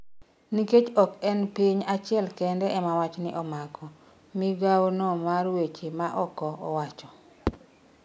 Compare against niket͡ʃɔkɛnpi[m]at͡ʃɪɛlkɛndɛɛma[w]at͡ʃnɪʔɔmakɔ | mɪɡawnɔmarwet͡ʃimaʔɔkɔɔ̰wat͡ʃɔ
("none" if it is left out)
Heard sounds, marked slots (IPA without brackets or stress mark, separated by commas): ɲ, w